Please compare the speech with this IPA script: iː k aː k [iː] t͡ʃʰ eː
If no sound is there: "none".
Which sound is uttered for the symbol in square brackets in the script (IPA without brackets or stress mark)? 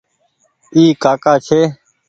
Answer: aː